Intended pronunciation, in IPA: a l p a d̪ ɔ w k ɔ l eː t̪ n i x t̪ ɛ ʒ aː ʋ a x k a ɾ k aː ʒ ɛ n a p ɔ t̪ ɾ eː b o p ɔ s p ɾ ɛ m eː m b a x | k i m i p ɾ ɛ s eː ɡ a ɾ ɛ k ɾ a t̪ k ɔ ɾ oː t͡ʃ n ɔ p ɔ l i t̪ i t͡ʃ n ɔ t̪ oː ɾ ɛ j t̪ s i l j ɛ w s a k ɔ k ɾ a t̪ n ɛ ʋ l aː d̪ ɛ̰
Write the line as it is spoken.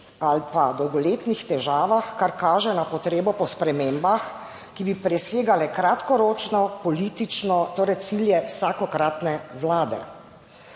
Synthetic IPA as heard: a l p a d̪ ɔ w ɡ ɔ l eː t̪ n i x t̪ ɛ ʒ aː ʋ a x k a ɾ k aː ʒ ɛ n a p ɔ t̪ ɾ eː b ɔ p ɔ s p ɾ ɛ m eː m b a x | k i b i p ɾ ɛ s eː ɡ a l ɛ k ɾ a t̪ k ɔ ɾ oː t͡ʃ n ɔ p ɔ l i t̪ i t͡ʃ n ɔ t̪ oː ɾ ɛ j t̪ s i l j ɛ w s a k ɔ k ɾ a t̪ n ɛ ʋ l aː d̪ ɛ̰

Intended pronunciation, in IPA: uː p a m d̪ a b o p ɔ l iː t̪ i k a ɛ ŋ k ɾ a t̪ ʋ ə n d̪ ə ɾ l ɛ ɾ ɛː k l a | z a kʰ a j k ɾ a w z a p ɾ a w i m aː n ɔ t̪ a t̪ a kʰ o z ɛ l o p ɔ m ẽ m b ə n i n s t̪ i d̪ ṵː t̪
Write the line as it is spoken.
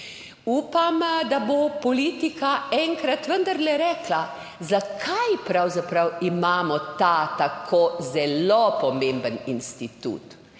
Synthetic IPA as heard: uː p a m d̪ a b o p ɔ l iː t̪ i k a ɛ ŋ k ɾ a t̪ ʋ ə n d̪ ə ɾ l ɛ ɾ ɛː k l a | z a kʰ a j p ɾ a w z a p ɾ a w i m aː m ɔ t̪ a t̪ a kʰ o z ɛ l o p ɔ m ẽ m b ə n i n s t̪ i t̪ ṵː t̪

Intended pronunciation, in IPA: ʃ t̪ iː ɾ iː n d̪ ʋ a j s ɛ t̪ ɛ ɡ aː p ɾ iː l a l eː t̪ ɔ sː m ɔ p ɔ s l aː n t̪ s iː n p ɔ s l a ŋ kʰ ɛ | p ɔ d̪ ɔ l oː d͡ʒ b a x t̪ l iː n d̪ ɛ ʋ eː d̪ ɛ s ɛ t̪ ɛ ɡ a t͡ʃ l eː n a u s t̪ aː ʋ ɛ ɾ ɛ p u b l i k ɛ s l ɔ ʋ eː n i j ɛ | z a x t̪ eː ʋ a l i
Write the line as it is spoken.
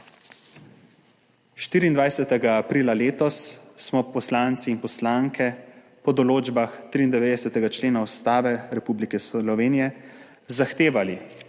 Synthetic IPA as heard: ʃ t̪ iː ɾ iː n d̪ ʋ a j s ɛ t̪ ɛ ɡ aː p ɾ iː l a l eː t̪ ɔ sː m ɔ p ɔ s l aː n t̪ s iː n p ɔ s l a ŋ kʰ ɛ | p ɔ d̪ ɔ l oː d͡ʒ b a x t̪ ɾ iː n d̪ ɛ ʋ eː d̪ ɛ s ɛ t̪ ɛ ɡ a t͡ʃ l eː n a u s t̪ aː ʋ ɛ ɾ ɛ p u b l i k ɛ s l ɔ ʋ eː n i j ɛ | z a x t̪ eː ʋ a l i

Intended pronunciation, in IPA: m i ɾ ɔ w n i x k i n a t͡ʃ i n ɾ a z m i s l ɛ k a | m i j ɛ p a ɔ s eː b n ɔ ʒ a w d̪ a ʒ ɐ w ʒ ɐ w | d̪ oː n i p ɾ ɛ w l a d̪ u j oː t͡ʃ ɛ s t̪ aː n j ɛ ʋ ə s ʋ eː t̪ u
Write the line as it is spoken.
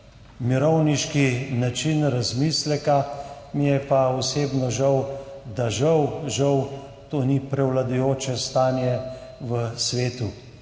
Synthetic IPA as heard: m i ɾ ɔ w n i ʃ k i n a t͡ʃ i n ɾ a z m i s l ɛ k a | m i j ɛ p a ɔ s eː b n ɔ ʒ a w d̪ a ʒ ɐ w ʒ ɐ w | t̪ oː n i p ɾ ɛ w l a d̪ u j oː t͡ʃ ɛ s t̪ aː n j ɛ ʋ ə s ʋ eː t̪ u

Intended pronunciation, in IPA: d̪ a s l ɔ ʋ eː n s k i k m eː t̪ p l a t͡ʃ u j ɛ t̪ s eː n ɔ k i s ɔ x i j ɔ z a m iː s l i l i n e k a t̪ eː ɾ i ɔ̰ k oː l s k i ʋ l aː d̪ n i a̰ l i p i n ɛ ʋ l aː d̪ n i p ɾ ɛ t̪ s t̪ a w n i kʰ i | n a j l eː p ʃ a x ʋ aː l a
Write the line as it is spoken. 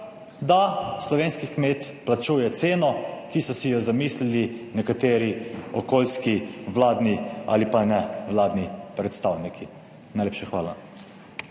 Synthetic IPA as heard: d̪ a s l ɔ ʋ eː n s k i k m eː t̪ p l a t͡ʃ u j ɛ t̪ s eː n ɔ k i s ɔ s i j ɔ z a m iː s l i l i n ɛ k a t̪ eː ɾ i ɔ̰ k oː l s k i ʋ l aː d̪ n i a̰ l i p a n ɛ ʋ l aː d̪ n i p ɾ ɛ t̪ s t̪ a w n i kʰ i | n a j l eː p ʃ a x ʋ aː l a

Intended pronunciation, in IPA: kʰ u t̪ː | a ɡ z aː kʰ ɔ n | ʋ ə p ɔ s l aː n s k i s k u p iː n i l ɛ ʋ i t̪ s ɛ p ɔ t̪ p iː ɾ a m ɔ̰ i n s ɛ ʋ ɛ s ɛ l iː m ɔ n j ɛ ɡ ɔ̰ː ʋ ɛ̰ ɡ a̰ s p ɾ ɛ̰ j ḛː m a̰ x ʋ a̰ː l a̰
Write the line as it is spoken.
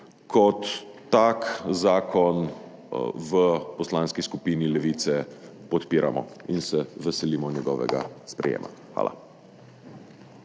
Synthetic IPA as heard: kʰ ɔ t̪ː | a k z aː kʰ ɔ n | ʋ ə p ɔ s l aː n s k i s k u p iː n i l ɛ ʋ i t̪ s ɛ p ɔ t̪ p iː ɾ a m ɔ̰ i n s ɛ ʋ ɛ s ɛ l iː m ɔ n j ɛ ɡ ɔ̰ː ʋ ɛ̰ ɡ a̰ s p ɾ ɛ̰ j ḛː m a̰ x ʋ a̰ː l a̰

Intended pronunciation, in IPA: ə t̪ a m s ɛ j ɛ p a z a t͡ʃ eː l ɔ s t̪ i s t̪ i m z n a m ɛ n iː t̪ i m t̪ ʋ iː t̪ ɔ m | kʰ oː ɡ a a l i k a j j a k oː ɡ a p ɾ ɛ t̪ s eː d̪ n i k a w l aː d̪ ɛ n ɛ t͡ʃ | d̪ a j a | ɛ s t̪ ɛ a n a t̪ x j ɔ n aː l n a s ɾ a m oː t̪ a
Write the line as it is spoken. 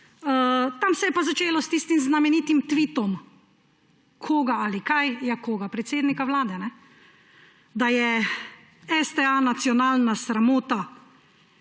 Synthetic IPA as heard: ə t̪ a m s ɛ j ɛ p a z a t͡ʃ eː l ɔ s t̪ i s t̪ i m z n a m ɛ n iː t̪ i m t̪ ʋ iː t̪ ɔ m | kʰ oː ɡ a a l i k a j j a k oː ɡ a p ɾ ɛ t̪ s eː d̪ n i k a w l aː d̪ ɛ n ɛ | d̪ a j ɛ | ɛ s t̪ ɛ a n a t̪ s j ɔ n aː l n a s ɾ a m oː t̪ a

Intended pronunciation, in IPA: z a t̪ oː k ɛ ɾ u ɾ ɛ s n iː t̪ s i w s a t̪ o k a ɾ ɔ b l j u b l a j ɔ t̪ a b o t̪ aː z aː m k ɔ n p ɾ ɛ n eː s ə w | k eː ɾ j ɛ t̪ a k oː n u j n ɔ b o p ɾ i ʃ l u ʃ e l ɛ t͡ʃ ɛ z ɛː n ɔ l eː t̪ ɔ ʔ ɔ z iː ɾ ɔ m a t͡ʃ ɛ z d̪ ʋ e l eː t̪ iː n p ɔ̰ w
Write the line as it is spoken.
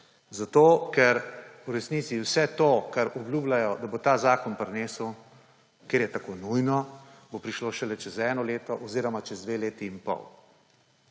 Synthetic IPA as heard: z a t̪ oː k ɛ ɾ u ɾ ɛ s n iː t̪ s i w s ɛ t̪ o k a ɾ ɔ b l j u b l a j ɔ d̪ a b o t̪ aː z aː k ɔ n p ɾ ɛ n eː s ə w | k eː ɾ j ɛ t̪ a k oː n u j n ɔ b o p ɾ i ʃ l o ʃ ɛ l ɛ t͡ʃ ɛ z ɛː n ɔ l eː t̪ ɔ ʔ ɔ z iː ɾ ɔ m a t͡ʃ ɛ z d̪ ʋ e l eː t̪ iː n p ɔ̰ w

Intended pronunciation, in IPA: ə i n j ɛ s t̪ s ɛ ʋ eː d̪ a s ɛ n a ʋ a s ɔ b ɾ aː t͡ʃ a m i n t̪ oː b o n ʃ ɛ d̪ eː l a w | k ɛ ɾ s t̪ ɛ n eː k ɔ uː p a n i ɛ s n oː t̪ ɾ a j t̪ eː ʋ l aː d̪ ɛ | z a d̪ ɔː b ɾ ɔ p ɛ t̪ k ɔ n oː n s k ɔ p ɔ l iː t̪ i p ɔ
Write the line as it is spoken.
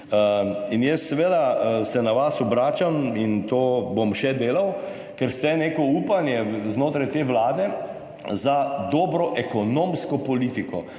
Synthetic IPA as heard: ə i n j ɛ s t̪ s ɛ ʋ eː d̪ a s ɛ n a ʋ a s ɔ b ɾ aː t͡ʃ a m i n t̪ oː b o m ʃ ɛ d̪ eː l a w | k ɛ ɾ s t̪ ɛ n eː k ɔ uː p a n j ɛ z n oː t̪ ɾ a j t̪ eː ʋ l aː d̪ ɛ | z a d̪ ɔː b ɾ ɔ ʔ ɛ k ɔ n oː m s k ɔ p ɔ l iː t̪ i k ɔ

